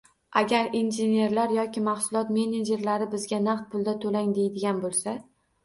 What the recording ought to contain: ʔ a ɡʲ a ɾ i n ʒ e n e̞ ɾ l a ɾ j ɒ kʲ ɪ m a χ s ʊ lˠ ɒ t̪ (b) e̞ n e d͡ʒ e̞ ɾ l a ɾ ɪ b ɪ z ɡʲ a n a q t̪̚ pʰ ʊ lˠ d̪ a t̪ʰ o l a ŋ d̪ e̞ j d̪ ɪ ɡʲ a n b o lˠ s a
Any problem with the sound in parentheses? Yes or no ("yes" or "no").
yes